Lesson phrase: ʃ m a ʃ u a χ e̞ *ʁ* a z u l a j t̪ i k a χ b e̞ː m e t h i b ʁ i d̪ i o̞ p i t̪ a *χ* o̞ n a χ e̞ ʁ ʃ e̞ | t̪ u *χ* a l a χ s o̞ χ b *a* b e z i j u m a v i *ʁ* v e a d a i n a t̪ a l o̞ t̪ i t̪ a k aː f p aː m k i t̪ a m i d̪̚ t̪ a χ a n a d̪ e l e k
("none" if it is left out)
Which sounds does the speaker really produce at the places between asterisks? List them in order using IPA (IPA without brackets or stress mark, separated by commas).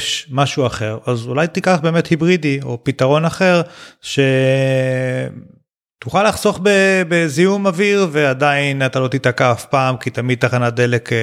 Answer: ʁ, ʁ, χ, e, ʁ